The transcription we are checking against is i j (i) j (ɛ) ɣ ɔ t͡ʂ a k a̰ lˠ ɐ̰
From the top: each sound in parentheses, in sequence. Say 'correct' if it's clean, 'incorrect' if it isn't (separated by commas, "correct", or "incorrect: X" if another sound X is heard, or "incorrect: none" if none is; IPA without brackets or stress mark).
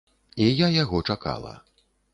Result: incorrect: a, incorrect: a